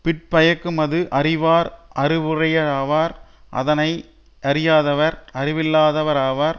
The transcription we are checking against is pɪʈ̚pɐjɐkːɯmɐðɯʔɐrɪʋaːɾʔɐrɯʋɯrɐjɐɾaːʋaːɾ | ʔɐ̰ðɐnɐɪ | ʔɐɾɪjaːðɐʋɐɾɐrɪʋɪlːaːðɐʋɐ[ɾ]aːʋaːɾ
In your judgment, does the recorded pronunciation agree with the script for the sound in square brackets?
yes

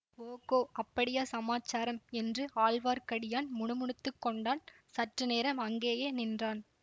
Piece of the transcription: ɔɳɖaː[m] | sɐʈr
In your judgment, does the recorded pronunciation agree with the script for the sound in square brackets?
no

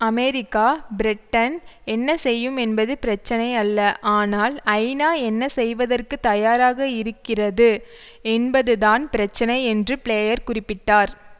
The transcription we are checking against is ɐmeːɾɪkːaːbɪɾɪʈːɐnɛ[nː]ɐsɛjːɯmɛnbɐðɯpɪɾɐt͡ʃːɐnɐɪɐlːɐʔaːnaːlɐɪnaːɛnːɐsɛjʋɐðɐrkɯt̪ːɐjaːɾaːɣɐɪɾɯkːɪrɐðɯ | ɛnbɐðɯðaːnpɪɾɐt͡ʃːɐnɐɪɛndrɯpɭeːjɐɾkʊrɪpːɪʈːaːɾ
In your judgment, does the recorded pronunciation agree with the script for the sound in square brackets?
yes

